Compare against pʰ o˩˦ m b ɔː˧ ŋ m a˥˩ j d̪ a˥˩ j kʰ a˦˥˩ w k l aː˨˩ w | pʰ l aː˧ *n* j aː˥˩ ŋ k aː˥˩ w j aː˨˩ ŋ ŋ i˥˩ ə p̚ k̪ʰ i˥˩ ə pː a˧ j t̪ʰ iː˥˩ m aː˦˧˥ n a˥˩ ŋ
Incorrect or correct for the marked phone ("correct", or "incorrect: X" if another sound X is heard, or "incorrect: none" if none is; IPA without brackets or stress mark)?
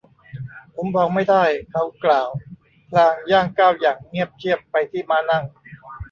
incorrect: ŋ